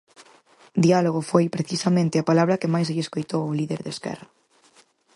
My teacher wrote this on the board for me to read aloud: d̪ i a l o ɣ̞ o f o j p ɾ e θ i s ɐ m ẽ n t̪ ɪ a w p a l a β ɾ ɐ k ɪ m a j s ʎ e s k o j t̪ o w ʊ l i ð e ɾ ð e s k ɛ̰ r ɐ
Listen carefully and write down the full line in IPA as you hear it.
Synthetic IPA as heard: d̪ i a l o ɣ̞ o f o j p ɾ e θ i s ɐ m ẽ n t̪ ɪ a p a l a β ɾ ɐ k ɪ m a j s ʎ e s k o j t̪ o w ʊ l i ð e ɾ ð e s k ɛ̰ r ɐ